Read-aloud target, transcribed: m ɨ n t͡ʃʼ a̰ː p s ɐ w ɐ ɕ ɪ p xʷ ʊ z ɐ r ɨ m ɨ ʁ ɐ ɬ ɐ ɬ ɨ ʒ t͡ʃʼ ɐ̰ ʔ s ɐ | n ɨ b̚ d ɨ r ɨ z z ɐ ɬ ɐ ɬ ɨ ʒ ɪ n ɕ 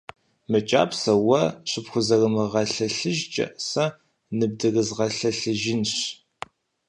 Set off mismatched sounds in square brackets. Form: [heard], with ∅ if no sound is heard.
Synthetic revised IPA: m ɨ [∅] t͡ʃʼ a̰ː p s ɐ w ɐ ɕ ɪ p xʷ ʊ z ɐ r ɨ m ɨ ʁ ɐ ɬ ɐ ɬ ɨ ʒ t͡ʃʼ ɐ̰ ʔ s ɐ | n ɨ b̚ d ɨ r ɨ z [ʁ] ɐ ɬ ɐ ɬ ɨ ʒ ɪ n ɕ